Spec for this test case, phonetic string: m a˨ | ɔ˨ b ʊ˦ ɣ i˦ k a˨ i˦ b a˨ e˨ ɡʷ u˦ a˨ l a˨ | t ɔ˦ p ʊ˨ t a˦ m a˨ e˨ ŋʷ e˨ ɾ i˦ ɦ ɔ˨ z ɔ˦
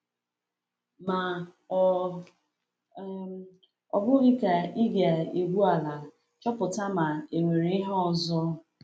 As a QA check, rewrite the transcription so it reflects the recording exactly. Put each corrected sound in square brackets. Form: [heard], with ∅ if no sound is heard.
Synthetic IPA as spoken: m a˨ | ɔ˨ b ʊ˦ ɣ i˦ k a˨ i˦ [ɡ] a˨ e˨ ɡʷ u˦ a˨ l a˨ | [t͡ʃ] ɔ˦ p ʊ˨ t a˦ m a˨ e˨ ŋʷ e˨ ɾ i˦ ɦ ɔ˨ z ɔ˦